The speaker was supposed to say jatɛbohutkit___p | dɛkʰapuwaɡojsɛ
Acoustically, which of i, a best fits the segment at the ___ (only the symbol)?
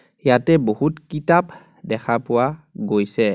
a